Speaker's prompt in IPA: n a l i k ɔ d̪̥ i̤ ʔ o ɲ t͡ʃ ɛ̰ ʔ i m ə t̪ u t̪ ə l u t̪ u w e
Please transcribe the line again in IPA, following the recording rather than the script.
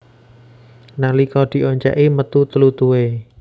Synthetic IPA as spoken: n a l i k ɔ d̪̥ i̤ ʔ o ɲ t͡ʃ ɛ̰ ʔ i m ə t̪ u t̪ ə l u t̪ u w e